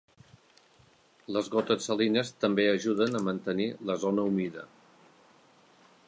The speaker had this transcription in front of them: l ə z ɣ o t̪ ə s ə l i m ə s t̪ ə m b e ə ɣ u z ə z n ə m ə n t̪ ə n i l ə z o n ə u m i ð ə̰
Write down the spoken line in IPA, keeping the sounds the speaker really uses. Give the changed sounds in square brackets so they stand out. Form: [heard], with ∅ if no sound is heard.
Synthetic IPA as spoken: l ə z ɣ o t̪ ə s ə l i [n] ə s t̪ ə m b e ə [ʒ] u [ð] ə [∅] n ə m ə n t̪ ə n i l ə z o n ə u m i ð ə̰